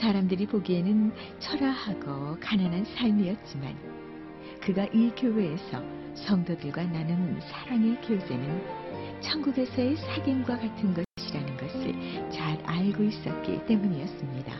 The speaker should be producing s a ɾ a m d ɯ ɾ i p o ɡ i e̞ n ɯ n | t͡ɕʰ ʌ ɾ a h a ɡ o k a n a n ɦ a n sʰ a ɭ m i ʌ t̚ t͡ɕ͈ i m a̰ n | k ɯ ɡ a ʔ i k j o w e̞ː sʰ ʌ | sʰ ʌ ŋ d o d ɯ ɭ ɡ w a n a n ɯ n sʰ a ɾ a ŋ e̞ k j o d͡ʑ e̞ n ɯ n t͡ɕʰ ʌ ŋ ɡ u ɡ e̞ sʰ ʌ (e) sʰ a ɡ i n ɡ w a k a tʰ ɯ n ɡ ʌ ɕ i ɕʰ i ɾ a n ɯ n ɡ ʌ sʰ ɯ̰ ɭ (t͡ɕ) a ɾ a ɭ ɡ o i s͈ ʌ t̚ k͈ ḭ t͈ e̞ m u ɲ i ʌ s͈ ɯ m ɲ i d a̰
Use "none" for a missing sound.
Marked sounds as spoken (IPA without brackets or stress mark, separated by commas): e, t͡ɕ